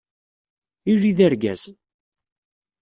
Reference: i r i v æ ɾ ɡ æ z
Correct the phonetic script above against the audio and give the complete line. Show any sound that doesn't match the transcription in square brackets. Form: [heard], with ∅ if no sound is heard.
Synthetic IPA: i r i [ð] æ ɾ ɡ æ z